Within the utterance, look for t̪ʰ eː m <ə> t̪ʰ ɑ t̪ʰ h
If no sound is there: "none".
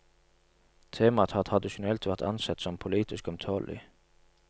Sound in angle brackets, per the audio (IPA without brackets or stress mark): ɑ